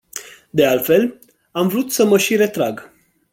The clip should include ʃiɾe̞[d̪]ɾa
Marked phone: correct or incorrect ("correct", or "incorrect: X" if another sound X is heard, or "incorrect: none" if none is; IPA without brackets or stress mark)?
incorrect: t̪